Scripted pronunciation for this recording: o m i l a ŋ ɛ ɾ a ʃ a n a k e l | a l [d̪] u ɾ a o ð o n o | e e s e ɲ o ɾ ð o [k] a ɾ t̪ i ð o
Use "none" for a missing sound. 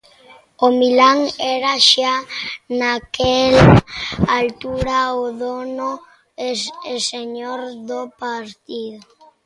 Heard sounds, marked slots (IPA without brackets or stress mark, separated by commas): t̪, p